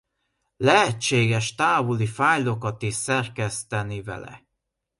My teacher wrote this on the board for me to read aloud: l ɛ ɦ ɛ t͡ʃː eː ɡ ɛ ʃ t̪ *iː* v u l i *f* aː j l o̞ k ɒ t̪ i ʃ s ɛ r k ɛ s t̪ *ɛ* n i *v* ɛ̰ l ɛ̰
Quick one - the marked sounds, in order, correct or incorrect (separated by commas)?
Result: incorrect, correct, correct, correct